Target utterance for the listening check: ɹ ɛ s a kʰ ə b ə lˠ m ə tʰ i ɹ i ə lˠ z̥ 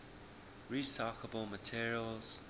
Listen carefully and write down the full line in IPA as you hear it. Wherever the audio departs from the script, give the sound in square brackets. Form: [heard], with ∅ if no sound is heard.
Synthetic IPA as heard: ɹ [i] s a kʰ ə b ə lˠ m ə tʰ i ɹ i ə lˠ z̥